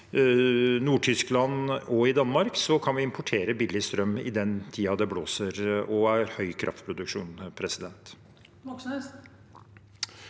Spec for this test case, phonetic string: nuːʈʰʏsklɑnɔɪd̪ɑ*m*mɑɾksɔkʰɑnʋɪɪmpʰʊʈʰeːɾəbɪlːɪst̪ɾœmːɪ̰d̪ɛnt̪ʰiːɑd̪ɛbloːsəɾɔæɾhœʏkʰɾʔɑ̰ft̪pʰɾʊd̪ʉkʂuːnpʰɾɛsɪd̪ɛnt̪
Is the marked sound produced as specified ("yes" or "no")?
no